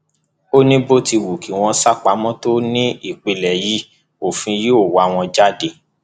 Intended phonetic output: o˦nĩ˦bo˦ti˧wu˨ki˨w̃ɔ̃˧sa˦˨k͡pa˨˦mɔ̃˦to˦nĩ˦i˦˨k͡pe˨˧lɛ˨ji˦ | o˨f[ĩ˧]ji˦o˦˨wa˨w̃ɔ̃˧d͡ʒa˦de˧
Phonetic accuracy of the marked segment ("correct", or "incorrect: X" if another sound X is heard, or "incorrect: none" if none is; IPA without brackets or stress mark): correct